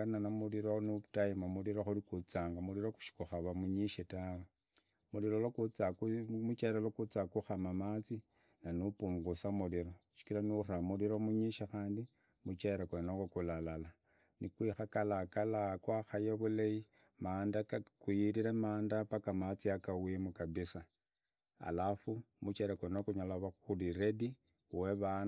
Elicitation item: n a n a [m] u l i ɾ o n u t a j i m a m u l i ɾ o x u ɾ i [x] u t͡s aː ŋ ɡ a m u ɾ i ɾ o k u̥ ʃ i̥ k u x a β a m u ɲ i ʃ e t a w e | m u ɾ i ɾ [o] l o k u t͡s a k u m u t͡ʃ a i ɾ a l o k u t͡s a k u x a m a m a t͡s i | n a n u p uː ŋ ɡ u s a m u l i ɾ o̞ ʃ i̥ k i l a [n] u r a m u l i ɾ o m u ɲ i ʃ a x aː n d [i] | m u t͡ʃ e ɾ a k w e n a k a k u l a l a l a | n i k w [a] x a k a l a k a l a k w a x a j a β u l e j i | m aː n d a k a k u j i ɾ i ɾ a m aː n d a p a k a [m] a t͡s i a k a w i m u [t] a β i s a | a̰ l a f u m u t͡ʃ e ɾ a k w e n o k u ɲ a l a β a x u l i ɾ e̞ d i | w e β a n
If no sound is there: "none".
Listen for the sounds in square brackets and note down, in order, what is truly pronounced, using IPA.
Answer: m, k, o, n, i, i, m, k

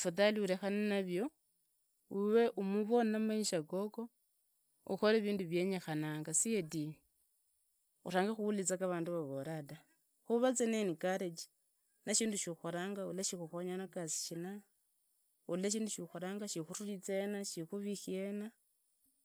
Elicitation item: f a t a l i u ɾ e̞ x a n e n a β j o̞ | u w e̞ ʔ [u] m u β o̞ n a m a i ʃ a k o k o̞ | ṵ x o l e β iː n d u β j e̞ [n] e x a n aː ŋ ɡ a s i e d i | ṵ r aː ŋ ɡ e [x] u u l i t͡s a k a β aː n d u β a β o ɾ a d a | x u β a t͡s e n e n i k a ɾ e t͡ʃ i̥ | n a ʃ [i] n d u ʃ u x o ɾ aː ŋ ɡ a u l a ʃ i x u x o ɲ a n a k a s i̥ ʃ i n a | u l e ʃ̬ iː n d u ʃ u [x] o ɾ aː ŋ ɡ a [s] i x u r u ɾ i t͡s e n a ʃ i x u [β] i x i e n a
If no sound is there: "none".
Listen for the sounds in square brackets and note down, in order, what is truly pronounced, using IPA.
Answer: u, ɲ, x, iː, x, ʃ, β

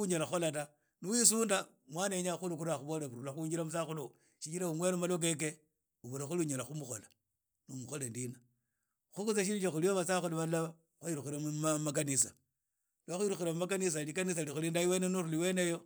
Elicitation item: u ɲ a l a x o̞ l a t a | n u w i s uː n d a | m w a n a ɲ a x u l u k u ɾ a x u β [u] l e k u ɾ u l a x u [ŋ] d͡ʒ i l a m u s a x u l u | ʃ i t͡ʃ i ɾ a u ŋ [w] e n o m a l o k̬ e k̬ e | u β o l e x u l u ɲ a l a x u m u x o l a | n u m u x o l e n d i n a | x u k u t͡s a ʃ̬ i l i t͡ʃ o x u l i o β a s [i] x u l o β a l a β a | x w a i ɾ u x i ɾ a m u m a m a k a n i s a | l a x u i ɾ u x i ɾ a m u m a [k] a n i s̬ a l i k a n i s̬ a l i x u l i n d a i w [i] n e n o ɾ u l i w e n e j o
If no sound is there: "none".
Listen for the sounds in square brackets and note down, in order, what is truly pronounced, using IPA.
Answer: o, ɲ, w, a, k, e

